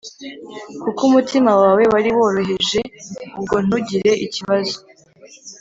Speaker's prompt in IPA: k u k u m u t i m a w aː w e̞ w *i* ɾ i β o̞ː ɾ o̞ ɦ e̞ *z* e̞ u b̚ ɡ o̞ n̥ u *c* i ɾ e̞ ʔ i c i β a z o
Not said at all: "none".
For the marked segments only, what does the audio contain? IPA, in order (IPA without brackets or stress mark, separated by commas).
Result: a, ʒ, ɟ